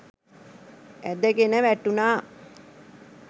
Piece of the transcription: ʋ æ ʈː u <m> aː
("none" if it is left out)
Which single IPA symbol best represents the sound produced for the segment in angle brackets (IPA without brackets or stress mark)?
n